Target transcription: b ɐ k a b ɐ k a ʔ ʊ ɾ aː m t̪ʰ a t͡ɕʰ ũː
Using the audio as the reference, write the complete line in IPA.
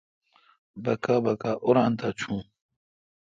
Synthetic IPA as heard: b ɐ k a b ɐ k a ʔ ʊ ɾ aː n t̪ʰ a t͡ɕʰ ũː